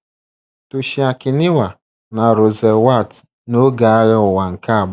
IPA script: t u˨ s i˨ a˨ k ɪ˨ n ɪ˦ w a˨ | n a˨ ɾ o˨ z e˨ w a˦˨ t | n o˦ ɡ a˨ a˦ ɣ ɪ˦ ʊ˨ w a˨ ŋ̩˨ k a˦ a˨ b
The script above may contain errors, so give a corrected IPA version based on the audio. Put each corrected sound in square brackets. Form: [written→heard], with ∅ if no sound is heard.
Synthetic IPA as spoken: t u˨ [s→ʃ] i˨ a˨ k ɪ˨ n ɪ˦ w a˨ | n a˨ ɾ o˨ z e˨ w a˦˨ t | n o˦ ɡ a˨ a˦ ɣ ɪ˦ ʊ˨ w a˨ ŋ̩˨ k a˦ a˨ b